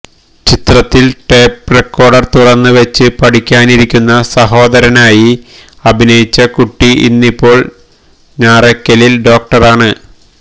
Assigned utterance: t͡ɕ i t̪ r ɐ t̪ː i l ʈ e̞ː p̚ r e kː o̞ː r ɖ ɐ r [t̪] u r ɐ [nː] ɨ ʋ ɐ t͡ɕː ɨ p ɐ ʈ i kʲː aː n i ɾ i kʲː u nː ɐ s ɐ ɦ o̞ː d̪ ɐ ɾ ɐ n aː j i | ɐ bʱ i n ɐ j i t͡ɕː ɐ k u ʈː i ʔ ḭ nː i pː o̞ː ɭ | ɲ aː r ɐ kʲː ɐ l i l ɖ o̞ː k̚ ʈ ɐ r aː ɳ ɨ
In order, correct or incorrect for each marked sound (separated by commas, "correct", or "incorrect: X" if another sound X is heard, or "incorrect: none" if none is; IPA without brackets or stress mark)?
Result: correct, correct